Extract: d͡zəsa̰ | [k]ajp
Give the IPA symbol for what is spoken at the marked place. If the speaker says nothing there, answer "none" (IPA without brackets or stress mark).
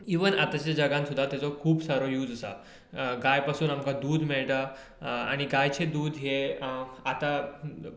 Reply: ɡ